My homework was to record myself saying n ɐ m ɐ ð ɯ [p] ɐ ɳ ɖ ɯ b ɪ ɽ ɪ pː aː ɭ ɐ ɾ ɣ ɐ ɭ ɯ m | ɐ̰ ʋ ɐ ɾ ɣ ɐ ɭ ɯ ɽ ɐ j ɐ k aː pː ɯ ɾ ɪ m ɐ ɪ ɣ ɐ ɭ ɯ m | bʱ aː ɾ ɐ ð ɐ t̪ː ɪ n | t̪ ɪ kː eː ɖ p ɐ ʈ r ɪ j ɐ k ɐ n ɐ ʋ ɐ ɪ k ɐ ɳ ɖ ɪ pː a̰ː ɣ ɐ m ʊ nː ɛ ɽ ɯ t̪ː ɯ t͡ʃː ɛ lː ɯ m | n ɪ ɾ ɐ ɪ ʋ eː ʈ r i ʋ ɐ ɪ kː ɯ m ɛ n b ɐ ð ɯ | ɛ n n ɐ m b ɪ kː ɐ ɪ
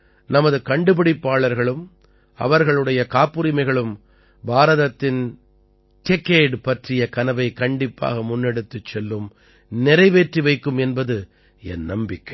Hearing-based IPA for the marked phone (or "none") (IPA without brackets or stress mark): k